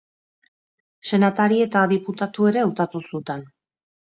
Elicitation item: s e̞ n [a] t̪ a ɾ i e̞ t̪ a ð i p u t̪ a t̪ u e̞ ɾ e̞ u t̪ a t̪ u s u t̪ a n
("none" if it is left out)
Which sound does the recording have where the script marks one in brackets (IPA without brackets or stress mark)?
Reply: a